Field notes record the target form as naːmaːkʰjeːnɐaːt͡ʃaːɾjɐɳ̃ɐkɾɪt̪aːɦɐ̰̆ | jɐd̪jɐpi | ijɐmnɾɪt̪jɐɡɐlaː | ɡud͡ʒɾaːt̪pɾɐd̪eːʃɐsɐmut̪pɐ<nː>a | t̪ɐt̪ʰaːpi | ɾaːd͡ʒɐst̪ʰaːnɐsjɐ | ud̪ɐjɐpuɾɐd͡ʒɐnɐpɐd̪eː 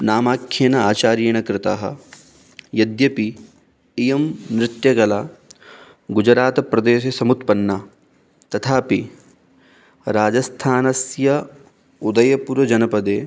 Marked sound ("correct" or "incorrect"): correct